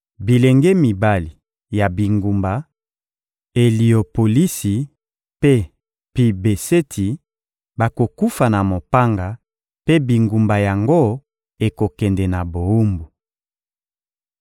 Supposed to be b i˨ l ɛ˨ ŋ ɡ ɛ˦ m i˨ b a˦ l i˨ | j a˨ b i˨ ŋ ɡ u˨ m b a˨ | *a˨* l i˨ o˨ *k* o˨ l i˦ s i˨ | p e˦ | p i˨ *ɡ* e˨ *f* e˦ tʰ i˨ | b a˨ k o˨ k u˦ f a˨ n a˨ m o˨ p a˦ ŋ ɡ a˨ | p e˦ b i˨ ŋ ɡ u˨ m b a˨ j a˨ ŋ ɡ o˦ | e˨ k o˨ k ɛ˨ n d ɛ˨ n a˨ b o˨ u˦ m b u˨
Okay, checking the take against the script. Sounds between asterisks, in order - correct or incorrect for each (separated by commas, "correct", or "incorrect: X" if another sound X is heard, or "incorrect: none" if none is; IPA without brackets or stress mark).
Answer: incorrect: e˨, incorrect: p, incorrect: b, incorrect: s